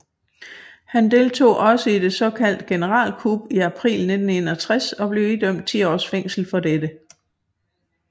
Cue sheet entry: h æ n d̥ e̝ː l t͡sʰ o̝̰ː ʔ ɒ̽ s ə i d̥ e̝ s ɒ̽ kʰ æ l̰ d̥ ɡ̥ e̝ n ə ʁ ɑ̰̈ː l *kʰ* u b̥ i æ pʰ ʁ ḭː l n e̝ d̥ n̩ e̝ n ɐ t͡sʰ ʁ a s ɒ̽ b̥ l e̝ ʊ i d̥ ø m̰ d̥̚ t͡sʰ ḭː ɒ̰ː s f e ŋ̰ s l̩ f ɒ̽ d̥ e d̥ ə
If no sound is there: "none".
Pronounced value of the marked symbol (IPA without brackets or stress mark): kʰ